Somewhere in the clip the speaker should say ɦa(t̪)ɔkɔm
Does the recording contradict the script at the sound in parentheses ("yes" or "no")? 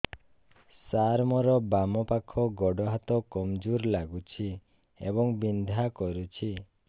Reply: no